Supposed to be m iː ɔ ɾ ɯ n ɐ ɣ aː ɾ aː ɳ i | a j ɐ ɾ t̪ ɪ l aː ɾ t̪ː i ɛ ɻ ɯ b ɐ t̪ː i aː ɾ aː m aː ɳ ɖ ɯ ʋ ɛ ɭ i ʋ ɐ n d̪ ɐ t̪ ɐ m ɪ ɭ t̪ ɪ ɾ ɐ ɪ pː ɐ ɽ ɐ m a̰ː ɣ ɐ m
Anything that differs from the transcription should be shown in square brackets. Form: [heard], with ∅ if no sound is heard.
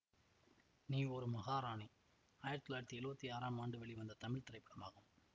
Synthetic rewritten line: [n] iː ɔ ɾ ɯ [m] ɐ ɣ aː ɾ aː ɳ i | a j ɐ ɾ t̪ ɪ l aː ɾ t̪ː i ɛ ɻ ɯ b ɐ t̪ː i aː ɾ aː m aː ɳ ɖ ɯ ʋ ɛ ɭ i ʋ ɐ n d̪ ɐ t̪ ɐ m ɪ ɭ t̪ ɪ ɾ ɐ ɪ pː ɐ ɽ ɐ m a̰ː ɣ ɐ m